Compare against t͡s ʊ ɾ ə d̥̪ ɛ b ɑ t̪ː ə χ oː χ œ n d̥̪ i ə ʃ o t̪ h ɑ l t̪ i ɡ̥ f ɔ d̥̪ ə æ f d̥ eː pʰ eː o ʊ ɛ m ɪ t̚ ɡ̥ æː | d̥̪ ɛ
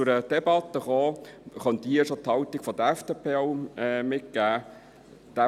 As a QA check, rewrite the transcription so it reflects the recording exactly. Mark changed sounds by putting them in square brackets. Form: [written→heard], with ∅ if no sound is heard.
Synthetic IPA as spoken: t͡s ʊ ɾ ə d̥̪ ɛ b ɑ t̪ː ə χ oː χ œ n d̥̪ i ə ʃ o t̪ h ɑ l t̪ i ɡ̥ f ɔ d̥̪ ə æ f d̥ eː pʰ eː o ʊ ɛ m ɪ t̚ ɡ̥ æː | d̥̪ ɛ